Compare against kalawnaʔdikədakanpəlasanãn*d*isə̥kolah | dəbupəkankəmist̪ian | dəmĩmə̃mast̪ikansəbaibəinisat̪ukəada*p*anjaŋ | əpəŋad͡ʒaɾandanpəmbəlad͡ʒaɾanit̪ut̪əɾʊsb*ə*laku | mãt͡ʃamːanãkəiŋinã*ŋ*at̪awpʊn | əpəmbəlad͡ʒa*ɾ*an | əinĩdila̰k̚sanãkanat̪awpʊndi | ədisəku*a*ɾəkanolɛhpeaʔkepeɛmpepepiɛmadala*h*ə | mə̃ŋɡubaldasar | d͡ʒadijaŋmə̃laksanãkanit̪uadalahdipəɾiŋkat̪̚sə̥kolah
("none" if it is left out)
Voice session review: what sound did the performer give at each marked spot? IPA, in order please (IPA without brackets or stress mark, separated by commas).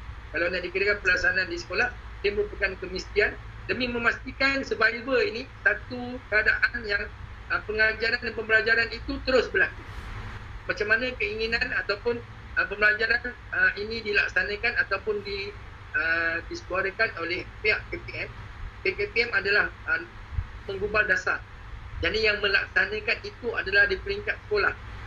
d, ʔ, ə, n, ɾ, a, h